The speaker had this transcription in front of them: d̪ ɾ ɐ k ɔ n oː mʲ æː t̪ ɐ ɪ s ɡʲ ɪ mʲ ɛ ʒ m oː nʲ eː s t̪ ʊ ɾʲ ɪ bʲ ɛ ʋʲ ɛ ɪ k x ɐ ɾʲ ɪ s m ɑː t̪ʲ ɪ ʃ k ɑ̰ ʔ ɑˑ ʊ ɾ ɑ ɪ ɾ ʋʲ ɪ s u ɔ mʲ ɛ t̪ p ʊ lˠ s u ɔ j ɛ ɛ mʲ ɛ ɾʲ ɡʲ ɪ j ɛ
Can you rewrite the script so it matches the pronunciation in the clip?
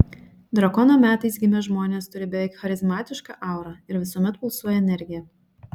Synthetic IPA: d̪ ɾ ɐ k ɔ n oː mʲ æː t̪ ɐ ɪ s ɡʲ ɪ mʲ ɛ ʒ m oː nʲ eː s t̪ ʊ ɾʲ ɪ bʲ ɛ ʋʲ ɛ ɪ k x ɐ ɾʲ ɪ z m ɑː t̪ʲ ɪ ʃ k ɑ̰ ʔ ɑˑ ʊ ɾ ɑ ɪ ɾ ʋʲ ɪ s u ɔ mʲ ɛ t̪ p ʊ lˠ s u ɔ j ɛ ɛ nʲ ɛ ɾʲ ɡʲ ɪ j ɛ